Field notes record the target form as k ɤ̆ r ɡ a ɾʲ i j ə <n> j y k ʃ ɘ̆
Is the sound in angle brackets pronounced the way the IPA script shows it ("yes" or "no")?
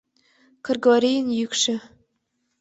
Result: yes